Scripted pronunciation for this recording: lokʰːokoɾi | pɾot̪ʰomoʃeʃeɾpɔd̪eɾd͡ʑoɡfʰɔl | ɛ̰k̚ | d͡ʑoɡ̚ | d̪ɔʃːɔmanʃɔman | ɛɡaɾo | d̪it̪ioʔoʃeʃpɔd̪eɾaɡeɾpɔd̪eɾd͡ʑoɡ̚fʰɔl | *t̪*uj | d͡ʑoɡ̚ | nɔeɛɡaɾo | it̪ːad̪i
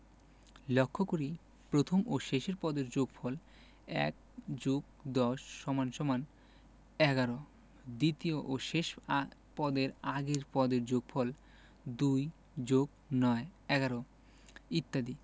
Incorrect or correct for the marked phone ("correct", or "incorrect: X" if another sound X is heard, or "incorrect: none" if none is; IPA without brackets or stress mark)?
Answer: incorrect: d̪